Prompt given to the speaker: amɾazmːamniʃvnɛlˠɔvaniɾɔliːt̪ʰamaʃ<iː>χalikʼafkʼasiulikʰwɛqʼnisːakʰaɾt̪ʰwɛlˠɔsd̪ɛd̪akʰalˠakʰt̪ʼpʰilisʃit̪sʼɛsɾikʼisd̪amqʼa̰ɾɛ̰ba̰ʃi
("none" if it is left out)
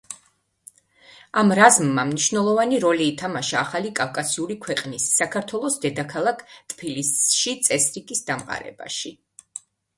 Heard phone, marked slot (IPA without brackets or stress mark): aː